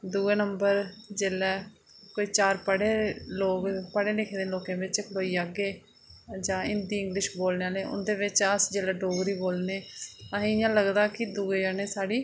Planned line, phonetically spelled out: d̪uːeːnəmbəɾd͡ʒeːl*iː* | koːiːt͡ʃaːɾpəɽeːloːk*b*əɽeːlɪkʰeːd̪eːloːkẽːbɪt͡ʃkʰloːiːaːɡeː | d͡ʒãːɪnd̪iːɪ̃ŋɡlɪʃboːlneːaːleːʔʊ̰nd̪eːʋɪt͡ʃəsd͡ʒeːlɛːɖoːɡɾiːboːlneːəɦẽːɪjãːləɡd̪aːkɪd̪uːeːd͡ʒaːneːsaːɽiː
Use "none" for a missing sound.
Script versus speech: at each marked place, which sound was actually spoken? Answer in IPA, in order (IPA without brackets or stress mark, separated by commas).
ɛː, p